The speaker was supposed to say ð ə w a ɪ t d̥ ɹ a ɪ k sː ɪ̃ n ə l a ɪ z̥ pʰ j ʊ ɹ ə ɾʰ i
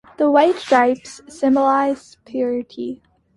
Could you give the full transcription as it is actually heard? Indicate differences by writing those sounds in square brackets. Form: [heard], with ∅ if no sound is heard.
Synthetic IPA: ð ə w a ɪ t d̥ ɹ a ɪ [p] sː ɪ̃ [m] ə l a ɪ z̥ pʰ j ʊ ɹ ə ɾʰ i